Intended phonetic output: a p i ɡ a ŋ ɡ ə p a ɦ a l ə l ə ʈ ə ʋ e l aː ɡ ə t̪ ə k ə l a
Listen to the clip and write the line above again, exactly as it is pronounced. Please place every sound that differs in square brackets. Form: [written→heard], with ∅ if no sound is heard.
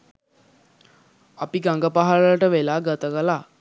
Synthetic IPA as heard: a p i ɡ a ŋ ɡ ə p a ɦ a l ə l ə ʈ ə ʋ e l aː ɡ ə t̪ ə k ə l a